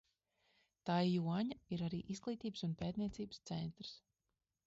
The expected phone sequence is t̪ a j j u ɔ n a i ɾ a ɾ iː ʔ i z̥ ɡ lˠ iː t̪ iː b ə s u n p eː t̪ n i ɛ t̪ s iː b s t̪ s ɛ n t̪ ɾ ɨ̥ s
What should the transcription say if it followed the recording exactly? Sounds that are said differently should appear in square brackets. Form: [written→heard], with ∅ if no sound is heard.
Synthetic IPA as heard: t̪ a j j u ɔ [n→ɲ] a i ɾ a ɾ iː ʔ i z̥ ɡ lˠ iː t̪ iː b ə s u n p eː t̪ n i ɛ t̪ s iː b s t̪ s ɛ n t̪ ɾ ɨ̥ s